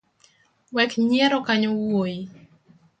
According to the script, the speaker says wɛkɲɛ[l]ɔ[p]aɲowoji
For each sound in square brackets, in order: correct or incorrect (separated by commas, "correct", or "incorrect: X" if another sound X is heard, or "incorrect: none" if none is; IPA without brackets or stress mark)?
incorrect: ɾ, incorrect: k